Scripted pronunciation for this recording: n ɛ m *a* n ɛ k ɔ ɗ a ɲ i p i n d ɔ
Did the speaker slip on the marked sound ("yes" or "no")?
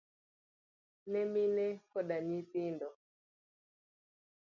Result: yes